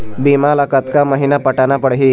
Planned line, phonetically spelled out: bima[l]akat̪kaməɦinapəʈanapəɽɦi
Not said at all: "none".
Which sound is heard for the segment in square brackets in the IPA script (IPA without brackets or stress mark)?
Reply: l